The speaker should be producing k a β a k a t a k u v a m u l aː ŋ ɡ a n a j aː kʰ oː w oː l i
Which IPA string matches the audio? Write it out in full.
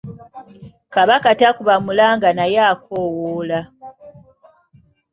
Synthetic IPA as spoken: k a β a k a t a k u β a m u l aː ŋ ɡ a n a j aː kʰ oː w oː l a